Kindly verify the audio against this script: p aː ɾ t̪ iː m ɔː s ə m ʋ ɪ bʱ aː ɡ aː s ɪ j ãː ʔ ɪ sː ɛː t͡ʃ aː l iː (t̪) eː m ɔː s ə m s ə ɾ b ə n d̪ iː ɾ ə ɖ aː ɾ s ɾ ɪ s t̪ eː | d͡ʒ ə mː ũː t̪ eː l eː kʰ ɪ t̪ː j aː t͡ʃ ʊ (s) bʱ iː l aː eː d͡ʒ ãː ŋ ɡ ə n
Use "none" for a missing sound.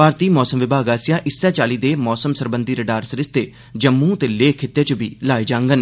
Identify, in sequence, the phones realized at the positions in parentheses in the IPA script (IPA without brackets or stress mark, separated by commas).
d̪, none